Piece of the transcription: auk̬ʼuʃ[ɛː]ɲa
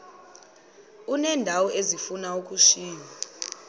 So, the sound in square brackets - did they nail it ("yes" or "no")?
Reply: no